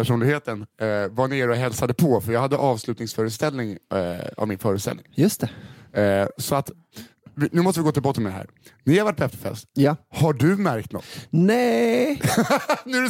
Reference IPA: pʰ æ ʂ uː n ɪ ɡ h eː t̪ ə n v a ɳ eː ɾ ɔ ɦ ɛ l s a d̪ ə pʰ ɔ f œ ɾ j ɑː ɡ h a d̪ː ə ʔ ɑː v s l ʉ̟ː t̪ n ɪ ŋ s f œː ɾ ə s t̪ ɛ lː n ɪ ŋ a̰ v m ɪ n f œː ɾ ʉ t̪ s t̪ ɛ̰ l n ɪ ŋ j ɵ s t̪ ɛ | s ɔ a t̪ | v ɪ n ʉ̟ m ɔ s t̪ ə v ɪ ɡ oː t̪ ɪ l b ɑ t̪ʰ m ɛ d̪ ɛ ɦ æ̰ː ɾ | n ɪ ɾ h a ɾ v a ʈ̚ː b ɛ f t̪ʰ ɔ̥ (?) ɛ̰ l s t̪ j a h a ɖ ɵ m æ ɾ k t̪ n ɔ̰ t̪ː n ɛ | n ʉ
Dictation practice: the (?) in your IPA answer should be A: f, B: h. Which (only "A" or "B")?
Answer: A